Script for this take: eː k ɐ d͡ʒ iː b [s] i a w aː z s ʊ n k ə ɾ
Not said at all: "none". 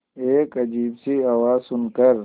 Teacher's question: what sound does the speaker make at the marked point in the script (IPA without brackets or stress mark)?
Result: s